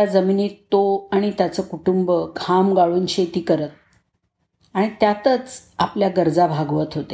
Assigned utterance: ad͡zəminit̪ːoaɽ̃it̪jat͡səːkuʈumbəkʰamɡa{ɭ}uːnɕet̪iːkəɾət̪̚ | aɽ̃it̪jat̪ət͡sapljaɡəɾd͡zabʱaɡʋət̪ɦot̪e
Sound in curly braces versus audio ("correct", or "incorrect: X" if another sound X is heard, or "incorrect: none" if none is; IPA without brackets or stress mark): correct